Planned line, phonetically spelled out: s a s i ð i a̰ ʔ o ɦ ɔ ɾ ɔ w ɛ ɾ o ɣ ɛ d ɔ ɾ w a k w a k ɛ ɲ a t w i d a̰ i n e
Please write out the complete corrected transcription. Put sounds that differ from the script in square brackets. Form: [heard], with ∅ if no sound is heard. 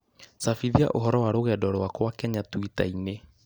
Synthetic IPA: s a [f] i ð i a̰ ʔ o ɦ ɔ ɾ ɔ w [a] ɾ o ɣ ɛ d ɔ ɾ w a k w a k ɛ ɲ a t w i [t] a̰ i n e